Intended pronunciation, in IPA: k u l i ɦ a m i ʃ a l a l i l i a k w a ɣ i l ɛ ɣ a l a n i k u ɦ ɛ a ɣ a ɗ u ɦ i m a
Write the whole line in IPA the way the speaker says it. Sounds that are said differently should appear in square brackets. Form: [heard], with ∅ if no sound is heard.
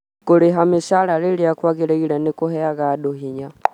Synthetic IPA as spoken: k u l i ɦ a m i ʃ a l a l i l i a k w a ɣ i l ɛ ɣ [i] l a n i k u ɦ ɛ a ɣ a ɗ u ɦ i [ɲ] a

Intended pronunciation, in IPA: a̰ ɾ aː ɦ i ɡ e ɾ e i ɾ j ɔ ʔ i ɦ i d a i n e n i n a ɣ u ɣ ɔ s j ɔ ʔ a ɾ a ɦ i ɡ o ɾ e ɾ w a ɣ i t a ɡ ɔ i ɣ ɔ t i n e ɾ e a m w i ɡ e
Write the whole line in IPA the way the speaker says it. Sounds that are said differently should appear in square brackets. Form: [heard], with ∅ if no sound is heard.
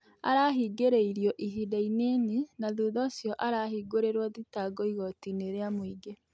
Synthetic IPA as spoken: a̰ ɾ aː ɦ i ɡ e ɾ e i ɾ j ɔ ʔ i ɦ i d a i n e n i n a [ð] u [ð] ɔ s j ɔ ʔ a ɾ a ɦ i ɡ o ɾ e ɾ w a [ð] i t a ɡ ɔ i ɣ ɔ t i n e ɾ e a m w i ɡ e

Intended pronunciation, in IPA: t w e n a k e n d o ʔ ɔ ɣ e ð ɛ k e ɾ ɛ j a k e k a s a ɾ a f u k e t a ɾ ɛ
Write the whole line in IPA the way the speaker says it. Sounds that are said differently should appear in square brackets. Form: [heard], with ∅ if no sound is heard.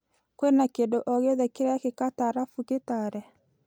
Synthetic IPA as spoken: [k] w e n a k e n d o ʔ ɔ ɣ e ð ɛ k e ɾ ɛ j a k e k a [t] a ɾ a f u k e t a ɾ ɛ

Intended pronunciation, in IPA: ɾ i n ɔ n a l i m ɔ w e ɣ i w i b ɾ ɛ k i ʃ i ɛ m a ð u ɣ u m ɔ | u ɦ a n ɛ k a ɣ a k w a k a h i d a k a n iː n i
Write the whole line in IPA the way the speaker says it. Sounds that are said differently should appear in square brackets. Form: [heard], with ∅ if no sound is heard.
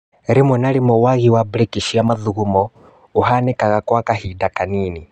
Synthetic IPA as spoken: ɾ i [m] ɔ n a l i m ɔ w [a] ɣ i w [a] b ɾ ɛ k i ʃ i [a] m a ð u ɣ u m ɔ | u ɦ a n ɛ k a ɣ a k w a k a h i d a k a n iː n i

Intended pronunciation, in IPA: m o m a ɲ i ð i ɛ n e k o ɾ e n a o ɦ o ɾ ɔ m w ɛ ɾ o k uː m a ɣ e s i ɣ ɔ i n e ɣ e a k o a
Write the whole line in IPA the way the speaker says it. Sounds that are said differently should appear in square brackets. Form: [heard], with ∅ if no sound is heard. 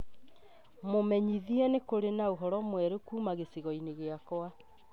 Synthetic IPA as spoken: m o m [ɛ] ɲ i ð i ɛ n e k o ɾ e n a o ɦ [ɔ] ɾ ɔ m w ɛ ɾ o k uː m a ɣ e s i ɣ ɔ i n e ɣ e a k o a

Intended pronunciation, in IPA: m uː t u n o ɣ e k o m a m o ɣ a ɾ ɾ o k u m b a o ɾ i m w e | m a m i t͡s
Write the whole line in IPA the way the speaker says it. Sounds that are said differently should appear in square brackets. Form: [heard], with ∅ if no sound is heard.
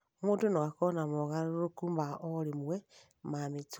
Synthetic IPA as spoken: m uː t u n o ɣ [a] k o [n] a m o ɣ a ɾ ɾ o k u m b a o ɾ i m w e | m a m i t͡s

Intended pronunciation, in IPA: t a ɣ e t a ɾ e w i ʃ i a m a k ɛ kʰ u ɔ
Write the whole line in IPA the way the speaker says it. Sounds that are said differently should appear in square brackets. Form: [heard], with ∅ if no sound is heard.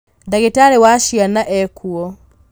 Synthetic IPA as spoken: [d] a ɣ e t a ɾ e w [a] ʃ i a [n] a [ʔ] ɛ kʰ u ɔ

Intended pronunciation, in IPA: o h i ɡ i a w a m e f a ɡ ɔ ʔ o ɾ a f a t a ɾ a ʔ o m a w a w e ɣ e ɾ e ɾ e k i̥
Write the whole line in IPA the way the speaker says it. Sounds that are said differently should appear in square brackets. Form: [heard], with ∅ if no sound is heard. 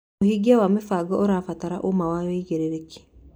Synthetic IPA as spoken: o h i ɡ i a w a m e f a ɡ ɔ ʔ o ɾ a f a t a ɾ a ʔ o m a w a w e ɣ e ɾ e ɾ e k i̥

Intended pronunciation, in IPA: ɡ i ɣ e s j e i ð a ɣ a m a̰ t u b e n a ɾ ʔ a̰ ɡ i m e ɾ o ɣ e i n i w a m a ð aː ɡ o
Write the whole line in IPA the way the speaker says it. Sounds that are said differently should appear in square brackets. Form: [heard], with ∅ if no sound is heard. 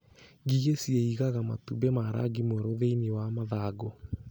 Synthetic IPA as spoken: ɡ i ɣ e s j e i [ɣ] a ɣ a m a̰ t u b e [m] a ɾ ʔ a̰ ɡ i m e ɾ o [ð] e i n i w a m a ð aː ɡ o

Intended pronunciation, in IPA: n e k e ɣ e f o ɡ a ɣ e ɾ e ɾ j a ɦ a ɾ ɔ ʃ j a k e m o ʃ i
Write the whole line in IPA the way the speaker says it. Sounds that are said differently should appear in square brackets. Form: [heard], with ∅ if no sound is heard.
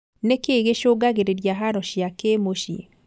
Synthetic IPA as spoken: n e k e ɣ e [ʃ] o ɡ a ɣ e ɾ e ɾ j a ɦ a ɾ ɔ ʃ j a k e m o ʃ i

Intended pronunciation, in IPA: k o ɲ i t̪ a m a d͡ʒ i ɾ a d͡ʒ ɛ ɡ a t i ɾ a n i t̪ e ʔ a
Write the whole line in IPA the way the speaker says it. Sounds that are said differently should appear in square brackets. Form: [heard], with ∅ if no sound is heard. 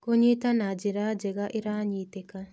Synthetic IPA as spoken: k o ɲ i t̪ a [n] a d͡ʒ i ɾ a d͡ʒ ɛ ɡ a [ʔ] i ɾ a [ɲ] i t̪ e [k] a

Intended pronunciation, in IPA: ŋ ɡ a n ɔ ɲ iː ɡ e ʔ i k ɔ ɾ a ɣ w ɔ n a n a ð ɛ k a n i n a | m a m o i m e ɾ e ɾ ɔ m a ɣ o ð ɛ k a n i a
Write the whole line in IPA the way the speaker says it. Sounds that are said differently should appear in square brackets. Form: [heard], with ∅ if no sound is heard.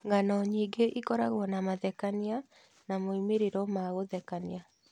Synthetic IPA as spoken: ŋ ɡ a n ɔ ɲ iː ɡ e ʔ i k ɔ ɾ a ɣ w ɔ n a [m] a ð ɛ k a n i [∅] a | [n] a m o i m e ɾ e ɾ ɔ m a ɣ o ð ɛ k a n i a

